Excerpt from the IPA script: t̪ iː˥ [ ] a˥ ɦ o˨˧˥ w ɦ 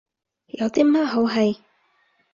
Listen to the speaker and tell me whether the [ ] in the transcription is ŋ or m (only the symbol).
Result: m